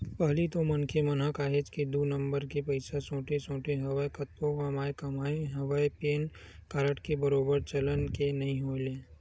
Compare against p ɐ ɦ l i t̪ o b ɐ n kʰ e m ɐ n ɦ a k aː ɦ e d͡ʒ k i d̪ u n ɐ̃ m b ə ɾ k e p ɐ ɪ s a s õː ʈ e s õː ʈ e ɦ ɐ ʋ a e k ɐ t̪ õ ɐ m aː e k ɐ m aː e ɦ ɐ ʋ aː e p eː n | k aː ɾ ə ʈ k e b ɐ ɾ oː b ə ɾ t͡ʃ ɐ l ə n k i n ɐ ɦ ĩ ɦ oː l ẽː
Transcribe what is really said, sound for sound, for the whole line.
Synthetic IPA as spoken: p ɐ ɦ l i t̪ o m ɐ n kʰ e m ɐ n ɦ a k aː ɦ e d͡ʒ k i d̪ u n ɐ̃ m b ə ɾ k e p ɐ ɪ s a s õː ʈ e s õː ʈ e ɦ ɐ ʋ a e k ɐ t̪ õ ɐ m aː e k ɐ m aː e ɦ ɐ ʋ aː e p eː n | k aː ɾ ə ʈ k e b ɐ ɾ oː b ə ɾ t͡ʃ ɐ l ə n k e n ɐ ɦ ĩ ɦ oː l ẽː